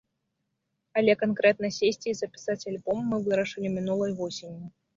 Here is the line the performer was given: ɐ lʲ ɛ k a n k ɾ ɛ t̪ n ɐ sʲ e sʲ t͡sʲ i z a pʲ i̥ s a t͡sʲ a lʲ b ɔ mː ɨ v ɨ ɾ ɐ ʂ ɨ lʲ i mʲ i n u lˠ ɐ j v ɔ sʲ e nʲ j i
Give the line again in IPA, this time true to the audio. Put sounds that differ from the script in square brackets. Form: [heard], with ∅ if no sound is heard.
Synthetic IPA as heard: ɐ lʲ ɛ k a n k ɾ ɛ t̪ n ɐ sʲ e sʲ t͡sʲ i z [ɐ] pʲ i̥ s a t͡sʲ a lʲ b ɔ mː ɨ v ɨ ɾ ɐ ʂ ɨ lʲ i mʲ i n u lˠ ɐ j v ɔ sʲ e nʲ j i